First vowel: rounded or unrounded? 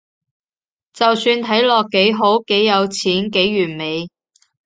unrounded